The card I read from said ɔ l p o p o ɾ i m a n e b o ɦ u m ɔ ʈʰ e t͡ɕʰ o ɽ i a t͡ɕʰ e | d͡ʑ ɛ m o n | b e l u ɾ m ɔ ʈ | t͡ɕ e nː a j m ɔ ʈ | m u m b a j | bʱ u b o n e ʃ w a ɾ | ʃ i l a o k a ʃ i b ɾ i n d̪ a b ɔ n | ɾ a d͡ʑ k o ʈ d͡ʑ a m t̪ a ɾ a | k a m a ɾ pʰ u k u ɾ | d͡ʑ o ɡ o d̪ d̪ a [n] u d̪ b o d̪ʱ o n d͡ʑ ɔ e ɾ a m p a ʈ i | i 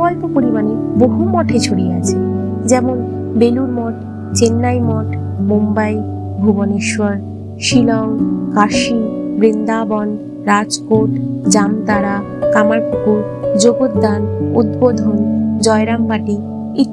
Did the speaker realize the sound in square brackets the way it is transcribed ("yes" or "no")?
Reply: yes